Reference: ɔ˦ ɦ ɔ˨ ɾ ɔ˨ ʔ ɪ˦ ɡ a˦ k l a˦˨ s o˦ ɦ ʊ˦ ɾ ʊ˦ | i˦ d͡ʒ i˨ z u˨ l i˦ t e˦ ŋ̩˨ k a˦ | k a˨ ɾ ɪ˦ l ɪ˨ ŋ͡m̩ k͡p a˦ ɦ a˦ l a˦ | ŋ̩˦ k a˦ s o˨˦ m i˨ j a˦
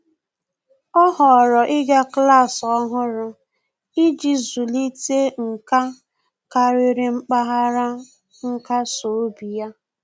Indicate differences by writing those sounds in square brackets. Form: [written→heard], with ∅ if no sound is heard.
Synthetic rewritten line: ɔ˦ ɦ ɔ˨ ɾ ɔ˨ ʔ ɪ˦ ɡ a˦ k l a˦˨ s [o˦→ɔ˦] ɦ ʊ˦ ɾ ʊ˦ | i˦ d͡ʒ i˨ z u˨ l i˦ t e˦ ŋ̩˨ k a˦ | k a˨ ɾ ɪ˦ [l→ɾ] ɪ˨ ŋ͡m̩ k͡p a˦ ɦ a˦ [l→ɾ] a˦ | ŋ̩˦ k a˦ s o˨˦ [m→b] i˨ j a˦